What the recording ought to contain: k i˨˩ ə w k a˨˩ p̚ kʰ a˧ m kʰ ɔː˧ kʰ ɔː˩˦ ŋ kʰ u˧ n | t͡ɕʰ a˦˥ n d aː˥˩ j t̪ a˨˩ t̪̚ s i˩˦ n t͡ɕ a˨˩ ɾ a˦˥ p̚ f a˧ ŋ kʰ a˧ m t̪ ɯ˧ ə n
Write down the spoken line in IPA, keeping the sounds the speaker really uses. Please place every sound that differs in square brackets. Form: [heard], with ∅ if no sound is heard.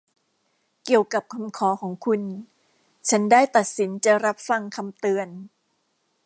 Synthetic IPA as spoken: k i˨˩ ə w k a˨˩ p̚ kʰ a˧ m kʰ [ɔː˩˦] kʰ ɔː˩˦ ŋ kʰ u˧ n | t͡ɕʰ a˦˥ n d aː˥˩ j t̪ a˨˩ t̪̚ s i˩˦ n t͡ɕ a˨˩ ɾ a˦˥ p̚ f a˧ ŋ kʰ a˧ m t̪ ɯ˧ ə n